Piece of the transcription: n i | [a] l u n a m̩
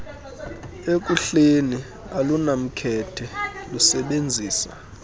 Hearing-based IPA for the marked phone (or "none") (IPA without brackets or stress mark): a